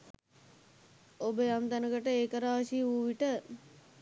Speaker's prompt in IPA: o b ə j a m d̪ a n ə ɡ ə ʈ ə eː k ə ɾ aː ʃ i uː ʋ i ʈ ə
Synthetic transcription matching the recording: o b ə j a m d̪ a n ə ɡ ə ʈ ə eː k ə ɾ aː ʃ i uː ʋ i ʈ ə